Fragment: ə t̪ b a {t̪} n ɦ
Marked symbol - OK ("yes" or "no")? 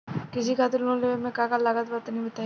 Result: yes